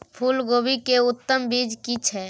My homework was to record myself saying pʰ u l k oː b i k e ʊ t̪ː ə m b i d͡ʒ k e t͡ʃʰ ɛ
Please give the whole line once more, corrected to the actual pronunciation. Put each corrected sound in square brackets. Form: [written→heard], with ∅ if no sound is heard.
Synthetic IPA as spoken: pʰ u l [k→ɡ] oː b i k e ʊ t̪ː ə m b i d͡ʒ k [e→i] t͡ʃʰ ɛ